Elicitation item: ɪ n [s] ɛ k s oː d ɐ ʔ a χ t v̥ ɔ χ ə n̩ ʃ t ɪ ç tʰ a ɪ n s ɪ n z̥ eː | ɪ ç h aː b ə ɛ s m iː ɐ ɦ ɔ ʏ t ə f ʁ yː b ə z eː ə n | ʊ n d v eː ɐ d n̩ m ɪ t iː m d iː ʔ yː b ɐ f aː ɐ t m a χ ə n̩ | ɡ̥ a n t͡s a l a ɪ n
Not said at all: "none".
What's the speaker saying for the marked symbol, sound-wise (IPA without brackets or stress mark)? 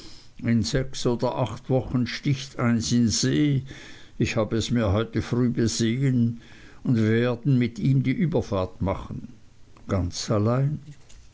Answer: z